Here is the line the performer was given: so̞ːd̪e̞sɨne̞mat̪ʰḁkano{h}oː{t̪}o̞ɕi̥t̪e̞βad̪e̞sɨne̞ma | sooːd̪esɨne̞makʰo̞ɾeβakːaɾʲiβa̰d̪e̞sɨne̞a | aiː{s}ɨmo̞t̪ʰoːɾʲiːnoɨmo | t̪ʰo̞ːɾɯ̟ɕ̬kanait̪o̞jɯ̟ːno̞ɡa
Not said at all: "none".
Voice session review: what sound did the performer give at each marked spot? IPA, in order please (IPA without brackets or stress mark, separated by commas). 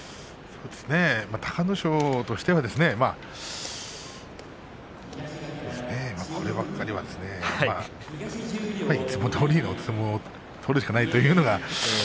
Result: ɕ, t̪, t͡s